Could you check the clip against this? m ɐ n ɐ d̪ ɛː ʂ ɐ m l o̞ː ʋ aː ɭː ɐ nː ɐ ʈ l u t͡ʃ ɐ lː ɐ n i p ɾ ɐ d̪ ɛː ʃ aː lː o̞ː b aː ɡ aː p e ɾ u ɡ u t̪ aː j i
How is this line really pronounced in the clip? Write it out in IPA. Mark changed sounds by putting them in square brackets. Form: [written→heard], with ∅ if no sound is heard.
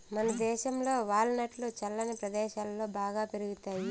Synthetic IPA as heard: m ɐ n ɐ d̪ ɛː [ʂ→ʃ] ɐ m l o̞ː ʋ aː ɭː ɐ [nː→n] ɐ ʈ l u t͡ʃ ɐ lː ɐ n i p ɾ ɐ d̪ ɛː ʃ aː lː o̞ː b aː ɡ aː p e ɾ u ɡ u t̪ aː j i